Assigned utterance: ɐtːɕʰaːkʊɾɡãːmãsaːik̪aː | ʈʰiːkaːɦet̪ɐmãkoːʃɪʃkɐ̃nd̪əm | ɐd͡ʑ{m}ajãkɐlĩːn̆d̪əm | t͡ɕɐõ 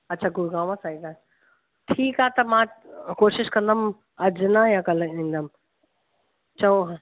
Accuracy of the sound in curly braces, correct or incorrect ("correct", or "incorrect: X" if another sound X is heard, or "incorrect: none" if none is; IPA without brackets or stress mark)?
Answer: incorrect: n